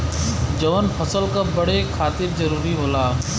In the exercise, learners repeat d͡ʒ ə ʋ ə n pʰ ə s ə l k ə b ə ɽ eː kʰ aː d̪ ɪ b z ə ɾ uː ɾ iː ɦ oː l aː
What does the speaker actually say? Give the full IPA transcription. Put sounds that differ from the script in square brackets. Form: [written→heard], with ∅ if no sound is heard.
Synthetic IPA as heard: d͡ʒ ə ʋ ə n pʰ ə s ə l k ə b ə ɽ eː kʰ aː [d̪→t̪] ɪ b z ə ɾ uː ɾ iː ɦ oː l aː

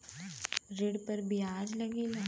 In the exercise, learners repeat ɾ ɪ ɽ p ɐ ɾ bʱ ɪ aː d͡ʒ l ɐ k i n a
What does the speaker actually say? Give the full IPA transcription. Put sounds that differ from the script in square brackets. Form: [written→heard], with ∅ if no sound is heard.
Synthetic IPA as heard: ɾ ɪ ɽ p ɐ ɾ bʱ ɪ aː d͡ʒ l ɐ [k→ɡ] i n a

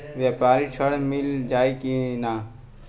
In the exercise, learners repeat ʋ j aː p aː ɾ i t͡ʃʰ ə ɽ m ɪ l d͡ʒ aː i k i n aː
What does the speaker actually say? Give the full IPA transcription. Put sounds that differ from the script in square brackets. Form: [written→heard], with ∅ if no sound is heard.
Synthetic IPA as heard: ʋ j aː p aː ɾ i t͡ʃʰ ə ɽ m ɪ l d͡ʒ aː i k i n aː

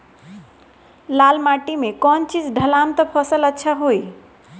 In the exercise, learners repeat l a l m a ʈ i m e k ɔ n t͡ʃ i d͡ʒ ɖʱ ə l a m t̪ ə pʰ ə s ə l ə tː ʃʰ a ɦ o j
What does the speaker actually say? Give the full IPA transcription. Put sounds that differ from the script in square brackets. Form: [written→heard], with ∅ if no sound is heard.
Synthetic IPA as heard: l a l m a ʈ i m e k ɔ n t͡ʃ i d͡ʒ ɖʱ ə l a m t̪ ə pʰ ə s ə l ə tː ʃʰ a ɦ o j

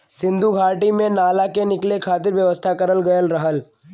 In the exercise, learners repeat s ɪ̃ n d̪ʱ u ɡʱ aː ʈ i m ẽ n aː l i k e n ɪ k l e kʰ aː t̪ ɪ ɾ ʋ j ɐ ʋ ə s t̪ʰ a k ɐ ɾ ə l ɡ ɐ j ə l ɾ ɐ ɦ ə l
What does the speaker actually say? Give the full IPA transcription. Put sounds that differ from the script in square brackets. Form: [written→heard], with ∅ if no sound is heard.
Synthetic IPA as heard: s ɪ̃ n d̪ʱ u ɡʱ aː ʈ i m ẽ n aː l [i→a] k e n ɪ k l e kʰ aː t̪ ɪ ɾ ʋ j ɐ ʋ ə s t̪ʰ a k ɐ ɾ ə l ɡ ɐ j ə l ɾ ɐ ɦ ə l

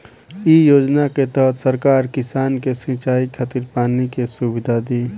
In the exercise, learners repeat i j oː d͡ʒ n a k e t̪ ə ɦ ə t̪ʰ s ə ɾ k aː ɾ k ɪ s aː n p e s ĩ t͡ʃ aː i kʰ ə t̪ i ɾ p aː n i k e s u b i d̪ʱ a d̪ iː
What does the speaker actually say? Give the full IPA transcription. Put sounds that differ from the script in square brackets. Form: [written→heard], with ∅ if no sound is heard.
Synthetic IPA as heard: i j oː d͡ʒ n a k e t̪ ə ɦ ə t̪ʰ s ə ɾ k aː ɾ k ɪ s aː n [p→k] e s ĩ t͡ʃ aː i kʰ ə t̪ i ɾ p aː n i k e s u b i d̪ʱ a d̪ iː

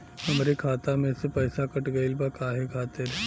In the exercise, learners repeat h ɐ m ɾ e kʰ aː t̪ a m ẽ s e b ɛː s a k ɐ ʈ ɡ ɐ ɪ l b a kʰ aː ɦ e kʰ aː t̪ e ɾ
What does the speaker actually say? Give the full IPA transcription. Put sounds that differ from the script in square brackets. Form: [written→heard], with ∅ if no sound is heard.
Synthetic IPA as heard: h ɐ m ɾ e kʰ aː t̪ a m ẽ s e [b→p] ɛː s a k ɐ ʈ ɡ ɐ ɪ l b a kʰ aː ɦ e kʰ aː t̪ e ɾ

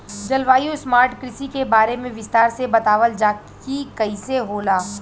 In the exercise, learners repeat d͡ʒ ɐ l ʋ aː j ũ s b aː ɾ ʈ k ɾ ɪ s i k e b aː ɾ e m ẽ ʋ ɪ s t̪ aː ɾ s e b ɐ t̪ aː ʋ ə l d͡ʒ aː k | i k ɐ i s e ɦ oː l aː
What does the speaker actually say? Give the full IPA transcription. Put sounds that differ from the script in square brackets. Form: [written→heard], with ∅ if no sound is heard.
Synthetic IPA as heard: d͡ʒ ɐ l ʋ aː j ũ s [b→m] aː ɾ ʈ k ɾ ɪ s i k e b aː ɾ e m ẽ ʋ ɪ s t̪ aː ɾ s e b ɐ t̪ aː ʋ ə l d͡ʒ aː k | i k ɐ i s e ɦ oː l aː

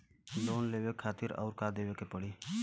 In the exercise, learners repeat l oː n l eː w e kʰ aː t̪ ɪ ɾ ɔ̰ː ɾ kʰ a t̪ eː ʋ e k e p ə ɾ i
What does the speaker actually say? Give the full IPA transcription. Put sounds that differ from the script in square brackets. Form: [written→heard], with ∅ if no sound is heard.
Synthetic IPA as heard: l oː n l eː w e kʰ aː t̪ ɪ ɾ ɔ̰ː ɾ [kʰ→k] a [t̪→d̪] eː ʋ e k e p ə [ɾ→ɽ] i

